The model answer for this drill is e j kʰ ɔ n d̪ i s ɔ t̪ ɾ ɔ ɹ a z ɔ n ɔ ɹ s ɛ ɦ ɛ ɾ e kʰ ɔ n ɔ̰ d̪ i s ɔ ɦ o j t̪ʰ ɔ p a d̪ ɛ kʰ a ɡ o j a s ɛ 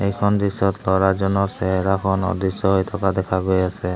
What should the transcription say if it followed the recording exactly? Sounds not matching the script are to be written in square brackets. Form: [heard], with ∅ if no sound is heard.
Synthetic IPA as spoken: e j kʰ ɔ n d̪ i s ɔ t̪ [l] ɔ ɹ a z ɔ n ɔ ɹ s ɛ ɦ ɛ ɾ [a] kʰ ɔ n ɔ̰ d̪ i s ɔ ɦ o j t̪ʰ ɔ [k] a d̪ ɛ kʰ a ɡ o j a s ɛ